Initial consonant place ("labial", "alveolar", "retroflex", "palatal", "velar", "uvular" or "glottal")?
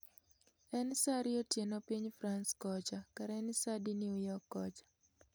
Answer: alveolar